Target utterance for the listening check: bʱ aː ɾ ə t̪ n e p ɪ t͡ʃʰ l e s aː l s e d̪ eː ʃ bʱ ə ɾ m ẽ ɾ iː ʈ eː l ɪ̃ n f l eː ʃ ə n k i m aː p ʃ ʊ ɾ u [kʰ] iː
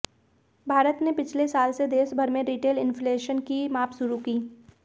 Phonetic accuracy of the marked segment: incorrect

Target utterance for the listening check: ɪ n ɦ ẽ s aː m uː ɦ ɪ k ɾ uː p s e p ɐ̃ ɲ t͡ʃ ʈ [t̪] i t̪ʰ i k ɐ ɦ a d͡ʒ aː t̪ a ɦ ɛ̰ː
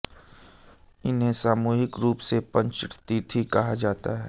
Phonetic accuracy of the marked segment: correct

